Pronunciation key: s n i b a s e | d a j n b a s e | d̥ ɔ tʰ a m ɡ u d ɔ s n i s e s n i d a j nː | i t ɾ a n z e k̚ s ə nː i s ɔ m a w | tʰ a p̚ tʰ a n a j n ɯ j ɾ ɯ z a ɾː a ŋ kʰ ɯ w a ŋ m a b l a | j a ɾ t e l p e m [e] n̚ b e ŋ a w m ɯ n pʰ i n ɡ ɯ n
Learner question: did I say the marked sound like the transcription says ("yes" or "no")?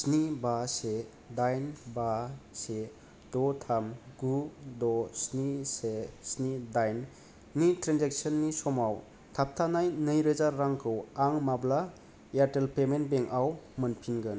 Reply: yes